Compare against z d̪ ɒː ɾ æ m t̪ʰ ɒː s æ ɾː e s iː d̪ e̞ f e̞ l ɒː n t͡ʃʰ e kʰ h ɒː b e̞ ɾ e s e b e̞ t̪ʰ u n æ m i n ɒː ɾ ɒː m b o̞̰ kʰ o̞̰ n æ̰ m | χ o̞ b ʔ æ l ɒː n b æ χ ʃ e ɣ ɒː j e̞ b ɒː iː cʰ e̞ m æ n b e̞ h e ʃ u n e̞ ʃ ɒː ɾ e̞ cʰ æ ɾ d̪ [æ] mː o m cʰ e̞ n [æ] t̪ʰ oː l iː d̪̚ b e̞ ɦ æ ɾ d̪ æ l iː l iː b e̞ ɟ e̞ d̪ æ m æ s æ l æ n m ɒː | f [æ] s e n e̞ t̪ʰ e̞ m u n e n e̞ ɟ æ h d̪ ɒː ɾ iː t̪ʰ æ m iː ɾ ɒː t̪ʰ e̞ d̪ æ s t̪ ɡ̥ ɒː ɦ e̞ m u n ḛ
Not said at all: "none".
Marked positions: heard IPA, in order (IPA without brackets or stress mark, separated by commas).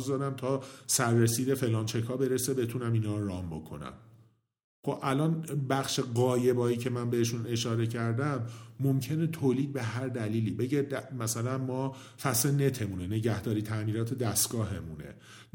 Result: æ, e, æ